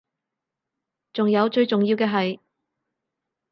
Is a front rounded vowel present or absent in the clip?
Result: absent